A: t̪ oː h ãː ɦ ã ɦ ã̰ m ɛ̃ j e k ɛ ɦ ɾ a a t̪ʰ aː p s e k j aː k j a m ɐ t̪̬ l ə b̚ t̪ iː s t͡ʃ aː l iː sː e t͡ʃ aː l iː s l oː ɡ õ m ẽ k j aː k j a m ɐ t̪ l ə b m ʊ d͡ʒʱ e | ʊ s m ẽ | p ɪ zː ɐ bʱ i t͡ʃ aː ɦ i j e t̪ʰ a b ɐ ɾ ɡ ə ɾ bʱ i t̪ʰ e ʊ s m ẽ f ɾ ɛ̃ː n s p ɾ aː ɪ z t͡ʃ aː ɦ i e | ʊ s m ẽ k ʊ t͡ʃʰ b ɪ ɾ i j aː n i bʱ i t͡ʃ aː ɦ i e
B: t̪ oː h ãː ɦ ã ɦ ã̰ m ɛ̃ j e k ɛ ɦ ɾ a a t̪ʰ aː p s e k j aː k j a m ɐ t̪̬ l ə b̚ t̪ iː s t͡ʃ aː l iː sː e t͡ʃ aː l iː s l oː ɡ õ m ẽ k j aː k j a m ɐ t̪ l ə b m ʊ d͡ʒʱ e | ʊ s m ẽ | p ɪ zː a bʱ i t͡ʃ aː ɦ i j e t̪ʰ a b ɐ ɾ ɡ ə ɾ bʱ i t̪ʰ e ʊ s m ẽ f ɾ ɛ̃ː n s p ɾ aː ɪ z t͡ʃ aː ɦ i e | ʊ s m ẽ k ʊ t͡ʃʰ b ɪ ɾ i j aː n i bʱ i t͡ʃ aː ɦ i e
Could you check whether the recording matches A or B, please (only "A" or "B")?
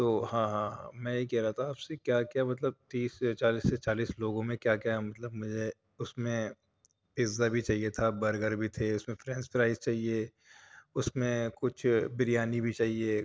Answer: B